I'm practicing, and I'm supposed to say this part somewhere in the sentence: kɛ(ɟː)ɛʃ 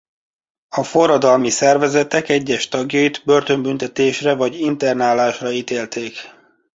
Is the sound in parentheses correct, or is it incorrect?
correct